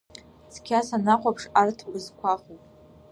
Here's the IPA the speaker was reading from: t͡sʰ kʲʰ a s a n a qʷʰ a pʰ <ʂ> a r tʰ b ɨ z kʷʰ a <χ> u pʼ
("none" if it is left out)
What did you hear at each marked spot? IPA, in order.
ʂ, χ

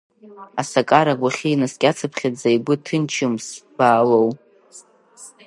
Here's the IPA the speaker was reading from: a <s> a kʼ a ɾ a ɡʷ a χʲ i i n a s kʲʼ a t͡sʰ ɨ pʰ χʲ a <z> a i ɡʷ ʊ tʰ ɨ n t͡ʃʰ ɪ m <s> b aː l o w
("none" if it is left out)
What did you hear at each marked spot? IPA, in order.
s, d͡z, s

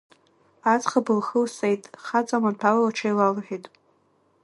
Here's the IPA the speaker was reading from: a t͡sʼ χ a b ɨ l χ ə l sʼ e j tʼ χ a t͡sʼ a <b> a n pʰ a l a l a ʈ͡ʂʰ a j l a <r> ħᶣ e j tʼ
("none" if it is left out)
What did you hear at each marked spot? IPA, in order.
m, l

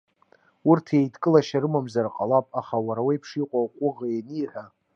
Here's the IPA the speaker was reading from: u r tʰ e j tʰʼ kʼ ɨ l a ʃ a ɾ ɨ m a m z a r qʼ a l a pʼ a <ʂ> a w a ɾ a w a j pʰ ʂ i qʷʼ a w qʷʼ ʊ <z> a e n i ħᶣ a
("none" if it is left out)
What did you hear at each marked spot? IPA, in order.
χ, ʁ

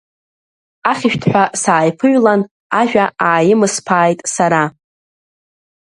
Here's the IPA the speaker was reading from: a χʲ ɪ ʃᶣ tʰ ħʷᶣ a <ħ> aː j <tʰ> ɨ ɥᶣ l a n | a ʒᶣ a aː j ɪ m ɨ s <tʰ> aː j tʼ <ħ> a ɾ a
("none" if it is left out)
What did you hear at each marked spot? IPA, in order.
s, pʰ, pʰ, s

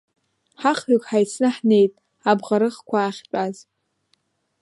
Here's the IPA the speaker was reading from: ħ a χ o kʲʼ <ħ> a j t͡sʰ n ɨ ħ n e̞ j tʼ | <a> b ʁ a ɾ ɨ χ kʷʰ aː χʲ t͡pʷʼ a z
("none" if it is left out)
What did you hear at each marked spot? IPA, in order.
ħ, a

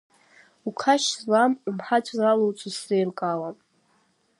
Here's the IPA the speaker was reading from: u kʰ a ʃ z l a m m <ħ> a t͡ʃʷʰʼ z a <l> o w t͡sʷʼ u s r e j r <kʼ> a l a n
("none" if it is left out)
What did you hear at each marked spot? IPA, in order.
ħ, l, kʼ

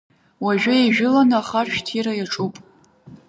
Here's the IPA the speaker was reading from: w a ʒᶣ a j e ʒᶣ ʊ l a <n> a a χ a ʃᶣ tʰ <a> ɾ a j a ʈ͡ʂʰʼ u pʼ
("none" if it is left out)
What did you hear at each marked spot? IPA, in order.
n, i

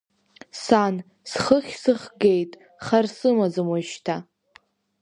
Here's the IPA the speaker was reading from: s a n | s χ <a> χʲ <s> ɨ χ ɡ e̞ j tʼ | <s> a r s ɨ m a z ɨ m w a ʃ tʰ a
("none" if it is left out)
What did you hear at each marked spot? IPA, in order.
ə, s, χ

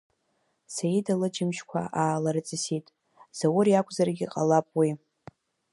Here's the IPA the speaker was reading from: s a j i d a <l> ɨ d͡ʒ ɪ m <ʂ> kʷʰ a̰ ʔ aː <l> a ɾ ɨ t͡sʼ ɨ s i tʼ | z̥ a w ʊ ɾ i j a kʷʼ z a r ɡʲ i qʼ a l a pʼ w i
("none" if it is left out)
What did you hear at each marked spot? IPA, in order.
l, ʃ, l

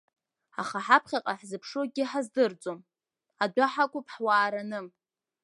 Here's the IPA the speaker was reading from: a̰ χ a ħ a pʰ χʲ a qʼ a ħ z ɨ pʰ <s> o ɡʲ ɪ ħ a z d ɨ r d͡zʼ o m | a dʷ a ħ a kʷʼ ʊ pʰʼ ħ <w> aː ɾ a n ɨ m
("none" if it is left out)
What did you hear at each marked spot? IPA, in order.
ʂ, w

